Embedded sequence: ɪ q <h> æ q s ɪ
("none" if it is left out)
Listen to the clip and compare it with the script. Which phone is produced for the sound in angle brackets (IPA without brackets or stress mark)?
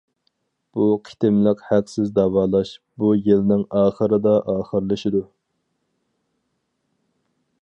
h